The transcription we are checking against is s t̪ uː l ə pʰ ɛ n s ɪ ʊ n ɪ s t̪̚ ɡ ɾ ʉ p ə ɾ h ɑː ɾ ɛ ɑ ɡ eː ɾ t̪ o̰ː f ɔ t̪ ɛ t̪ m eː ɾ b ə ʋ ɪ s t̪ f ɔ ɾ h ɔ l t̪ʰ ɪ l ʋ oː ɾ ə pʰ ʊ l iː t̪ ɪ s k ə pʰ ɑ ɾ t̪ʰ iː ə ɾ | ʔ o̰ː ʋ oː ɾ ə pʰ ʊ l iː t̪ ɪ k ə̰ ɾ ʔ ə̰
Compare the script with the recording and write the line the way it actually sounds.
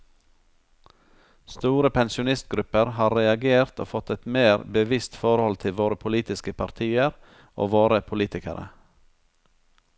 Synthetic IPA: s t̪ uː ɾ ə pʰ ɛ n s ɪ ʊ n ɪ s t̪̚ ɡ ɾ ʉ p ə ɾ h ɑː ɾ ɛ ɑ ɡ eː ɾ t̪ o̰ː f ɔ t̪ ɛ t̪ m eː ɾ b ə ʋ ɪ s t̪ f ɔ ɾ h ɔ l t̪ʰ ɪ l ʋ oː ɾ ə pʰ ʊ l iː t̪ ɪ s k ə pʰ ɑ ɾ t̪ʰ iː ə ɾ | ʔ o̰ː ʋ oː ɾ ə pʰ ʊ l iː t̪ ɪ k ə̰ ɾ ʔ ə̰